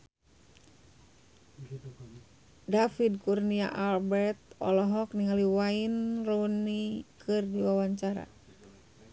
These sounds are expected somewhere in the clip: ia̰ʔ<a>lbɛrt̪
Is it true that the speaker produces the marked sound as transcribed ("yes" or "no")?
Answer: yes